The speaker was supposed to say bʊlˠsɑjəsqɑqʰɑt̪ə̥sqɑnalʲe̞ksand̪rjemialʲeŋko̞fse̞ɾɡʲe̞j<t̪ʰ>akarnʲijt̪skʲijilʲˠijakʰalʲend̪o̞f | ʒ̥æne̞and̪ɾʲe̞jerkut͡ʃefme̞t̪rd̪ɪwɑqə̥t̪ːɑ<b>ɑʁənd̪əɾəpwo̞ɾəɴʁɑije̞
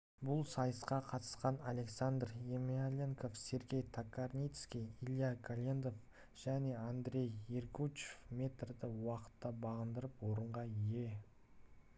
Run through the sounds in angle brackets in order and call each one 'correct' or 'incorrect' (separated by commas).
correct, correct